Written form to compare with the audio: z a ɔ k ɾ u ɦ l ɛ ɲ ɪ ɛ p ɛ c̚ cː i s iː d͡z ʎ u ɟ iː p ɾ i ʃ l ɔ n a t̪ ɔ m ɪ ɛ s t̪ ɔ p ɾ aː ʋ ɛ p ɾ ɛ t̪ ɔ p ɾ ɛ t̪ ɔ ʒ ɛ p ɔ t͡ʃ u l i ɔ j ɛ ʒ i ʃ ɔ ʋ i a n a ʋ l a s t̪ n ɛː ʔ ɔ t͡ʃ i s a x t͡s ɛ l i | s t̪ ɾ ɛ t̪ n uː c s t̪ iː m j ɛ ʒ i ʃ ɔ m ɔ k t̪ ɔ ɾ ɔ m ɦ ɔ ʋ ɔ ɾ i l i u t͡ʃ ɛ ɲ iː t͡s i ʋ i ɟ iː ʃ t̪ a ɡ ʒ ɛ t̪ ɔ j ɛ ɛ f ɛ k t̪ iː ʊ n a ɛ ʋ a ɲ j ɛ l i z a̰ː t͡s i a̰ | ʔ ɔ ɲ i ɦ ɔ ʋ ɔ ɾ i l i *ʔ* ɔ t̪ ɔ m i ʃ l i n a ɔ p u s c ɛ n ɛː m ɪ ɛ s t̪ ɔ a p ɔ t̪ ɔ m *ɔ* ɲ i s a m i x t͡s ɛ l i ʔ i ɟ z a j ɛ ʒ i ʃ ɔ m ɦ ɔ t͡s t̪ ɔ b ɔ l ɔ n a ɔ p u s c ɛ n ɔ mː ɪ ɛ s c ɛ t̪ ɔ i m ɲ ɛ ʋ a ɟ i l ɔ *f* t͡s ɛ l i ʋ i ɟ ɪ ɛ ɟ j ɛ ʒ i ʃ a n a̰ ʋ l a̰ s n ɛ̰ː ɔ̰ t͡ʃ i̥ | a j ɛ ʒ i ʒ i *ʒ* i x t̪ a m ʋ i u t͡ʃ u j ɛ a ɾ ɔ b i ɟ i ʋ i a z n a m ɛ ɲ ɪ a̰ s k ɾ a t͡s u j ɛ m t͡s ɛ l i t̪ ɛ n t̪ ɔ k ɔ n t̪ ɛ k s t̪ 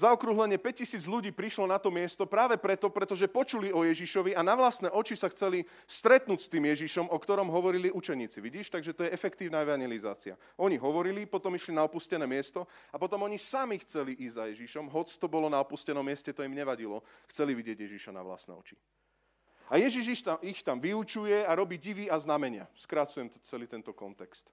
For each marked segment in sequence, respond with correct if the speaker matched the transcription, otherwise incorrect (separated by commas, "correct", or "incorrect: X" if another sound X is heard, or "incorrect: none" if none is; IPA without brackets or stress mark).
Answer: incorrect: p, correct, incorrect: x, incorrect: ʃ